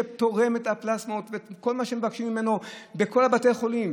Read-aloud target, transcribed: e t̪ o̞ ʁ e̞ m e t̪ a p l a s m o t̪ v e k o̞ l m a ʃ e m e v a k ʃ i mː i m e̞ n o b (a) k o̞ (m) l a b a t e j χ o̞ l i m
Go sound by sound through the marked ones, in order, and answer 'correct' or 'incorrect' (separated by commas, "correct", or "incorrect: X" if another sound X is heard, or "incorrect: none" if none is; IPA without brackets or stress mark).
incorrect: e, incorrect: none